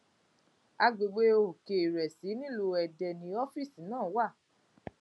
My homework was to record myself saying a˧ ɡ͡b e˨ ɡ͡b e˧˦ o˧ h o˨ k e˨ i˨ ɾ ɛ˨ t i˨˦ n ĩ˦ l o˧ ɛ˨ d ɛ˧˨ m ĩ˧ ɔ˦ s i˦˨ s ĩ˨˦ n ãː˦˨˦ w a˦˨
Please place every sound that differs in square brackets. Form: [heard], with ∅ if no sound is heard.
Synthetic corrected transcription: a˧ ɡ͡b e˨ ɡ͡b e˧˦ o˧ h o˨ k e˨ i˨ ɾ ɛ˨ [s] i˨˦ n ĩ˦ l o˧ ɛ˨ d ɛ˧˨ [n] ĩ˧ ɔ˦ [f] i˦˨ s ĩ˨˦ n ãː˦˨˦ w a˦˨